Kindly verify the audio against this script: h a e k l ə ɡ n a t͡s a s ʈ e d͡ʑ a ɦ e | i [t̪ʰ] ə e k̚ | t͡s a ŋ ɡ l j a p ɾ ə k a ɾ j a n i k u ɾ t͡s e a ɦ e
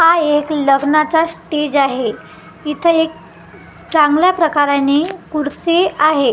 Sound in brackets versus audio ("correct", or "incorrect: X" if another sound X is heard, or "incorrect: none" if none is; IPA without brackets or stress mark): correct